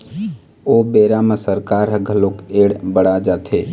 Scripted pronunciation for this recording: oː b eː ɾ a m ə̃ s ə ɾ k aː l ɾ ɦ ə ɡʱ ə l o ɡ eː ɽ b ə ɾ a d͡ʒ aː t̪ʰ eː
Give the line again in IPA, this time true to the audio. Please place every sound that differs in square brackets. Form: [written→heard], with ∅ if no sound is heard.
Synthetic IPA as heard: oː b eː ɾ a m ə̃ s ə ɾ k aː [l→∅] ɾ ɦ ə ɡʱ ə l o [ɡ→k] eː ɽ b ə [ɾ→ɽ] a d͡ʒ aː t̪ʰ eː